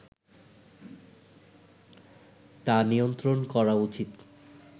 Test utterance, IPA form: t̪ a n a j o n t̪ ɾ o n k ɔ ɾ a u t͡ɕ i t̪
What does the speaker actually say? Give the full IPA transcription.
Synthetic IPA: t̪ a n i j o n t̪ ɾ o n k ɔ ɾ a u t͡ɕ i t̪